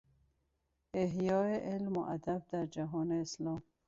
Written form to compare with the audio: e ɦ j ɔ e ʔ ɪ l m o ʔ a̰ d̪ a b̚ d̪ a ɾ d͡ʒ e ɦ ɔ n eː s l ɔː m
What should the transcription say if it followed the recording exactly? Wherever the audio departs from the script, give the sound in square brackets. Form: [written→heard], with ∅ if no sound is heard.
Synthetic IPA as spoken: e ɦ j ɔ e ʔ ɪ l m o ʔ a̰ d̪ a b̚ d̪ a ɾ d͡ʒ [e→a] ɦ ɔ n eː s l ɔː m